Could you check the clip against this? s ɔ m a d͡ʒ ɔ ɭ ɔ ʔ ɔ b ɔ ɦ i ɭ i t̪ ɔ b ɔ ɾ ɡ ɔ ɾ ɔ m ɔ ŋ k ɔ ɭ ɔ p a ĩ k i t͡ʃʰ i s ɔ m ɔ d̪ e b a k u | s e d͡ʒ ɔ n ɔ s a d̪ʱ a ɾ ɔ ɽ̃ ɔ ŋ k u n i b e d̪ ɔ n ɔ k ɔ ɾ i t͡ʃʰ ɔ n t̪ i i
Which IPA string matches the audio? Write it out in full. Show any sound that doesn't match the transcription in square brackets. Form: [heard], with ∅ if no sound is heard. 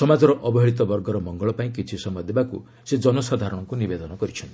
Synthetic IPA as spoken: s ɔ m a d͡ʒ ɔ [ɾ] ɔ ʔ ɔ b ɔ ɦ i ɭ i t̪ ɔ b ɔ ɾ ɡ ɔ ɾ ɔ m ɔ ŋ [ɡ] ɔ ɭ ɔ p a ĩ k i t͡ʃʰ i s ɔ m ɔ d̪ e b a k u | s e d͡ʒ ɔ n ɔ s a d̪ʱ a ɾ ɔ ɽ̃ ɔ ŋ k u n i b e d̪ ɔ n ɔ k ɔ ɾ i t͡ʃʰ ɔ n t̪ i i

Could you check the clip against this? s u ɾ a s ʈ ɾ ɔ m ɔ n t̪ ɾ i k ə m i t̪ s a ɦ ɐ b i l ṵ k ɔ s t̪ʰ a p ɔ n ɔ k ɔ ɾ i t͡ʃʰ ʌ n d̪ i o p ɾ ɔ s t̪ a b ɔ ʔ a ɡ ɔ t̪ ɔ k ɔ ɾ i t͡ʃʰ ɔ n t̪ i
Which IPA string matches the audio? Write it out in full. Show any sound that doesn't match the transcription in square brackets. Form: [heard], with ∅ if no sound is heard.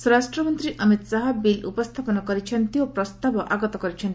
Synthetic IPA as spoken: s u ɾ a s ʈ ɾ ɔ m ɔ n t̪ ɾ i [ʔ] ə m i t̪ s a ɦ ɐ b i l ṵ [p] ɔ s t̪ʰ a p ɔ n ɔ k ɔ ɾ i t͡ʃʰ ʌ n [t̪] i o p ɾ ɔ s t̪ a b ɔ ʔ a ɡ ɔ t̪ ɔ k ɔ ɾ i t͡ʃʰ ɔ n t̪ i

